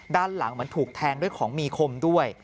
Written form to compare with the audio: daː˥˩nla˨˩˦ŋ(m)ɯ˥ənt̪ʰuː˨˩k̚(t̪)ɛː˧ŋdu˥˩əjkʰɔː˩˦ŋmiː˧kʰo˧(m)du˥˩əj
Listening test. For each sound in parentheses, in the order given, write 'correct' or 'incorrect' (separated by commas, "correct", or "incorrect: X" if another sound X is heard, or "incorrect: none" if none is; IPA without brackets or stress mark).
correct, incorrect: t̪ʰ, correct